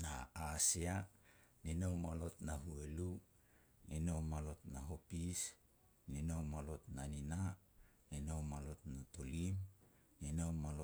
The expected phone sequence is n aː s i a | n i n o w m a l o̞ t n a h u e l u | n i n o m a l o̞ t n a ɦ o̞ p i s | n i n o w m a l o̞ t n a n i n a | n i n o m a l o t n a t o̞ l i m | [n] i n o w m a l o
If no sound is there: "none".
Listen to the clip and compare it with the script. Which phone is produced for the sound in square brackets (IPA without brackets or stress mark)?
n